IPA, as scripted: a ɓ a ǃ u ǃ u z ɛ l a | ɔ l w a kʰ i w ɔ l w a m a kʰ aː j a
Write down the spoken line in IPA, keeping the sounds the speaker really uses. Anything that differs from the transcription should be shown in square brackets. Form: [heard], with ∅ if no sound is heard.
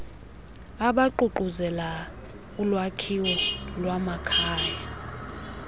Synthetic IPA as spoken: a ɓ a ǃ u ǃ u z ɛ l a | [u] l w a kʰ i w ɔ l w a m a kʰ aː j a